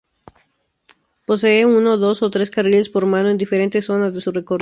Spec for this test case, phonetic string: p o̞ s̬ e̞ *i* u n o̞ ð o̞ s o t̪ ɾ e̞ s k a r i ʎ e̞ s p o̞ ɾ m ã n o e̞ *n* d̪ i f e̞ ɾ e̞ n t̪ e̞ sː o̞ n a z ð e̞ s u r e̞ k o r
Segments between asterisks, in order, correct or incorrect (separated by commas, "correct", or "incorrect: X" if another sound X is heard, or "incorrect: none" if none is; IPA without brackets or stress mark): incorrect: e, correct